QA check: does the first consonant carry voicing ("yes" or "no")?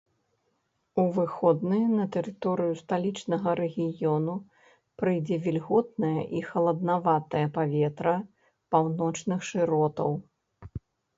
yes